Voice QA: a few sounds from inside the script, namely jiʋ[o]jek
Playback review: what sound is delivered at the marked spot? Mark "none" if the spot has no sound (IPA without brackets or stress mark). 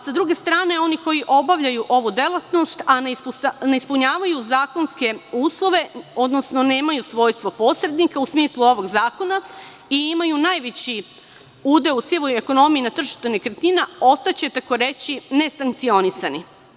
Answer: o